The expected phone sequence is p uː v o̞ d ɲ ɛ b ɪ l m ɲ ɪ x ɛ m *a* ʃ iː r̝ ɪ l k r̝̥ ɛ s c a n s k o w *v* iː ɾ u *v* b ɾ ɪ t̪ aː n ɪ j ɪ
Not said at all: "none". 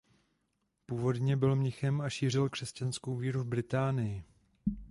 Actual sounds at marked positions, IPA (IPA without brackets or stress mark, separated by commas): a, v, v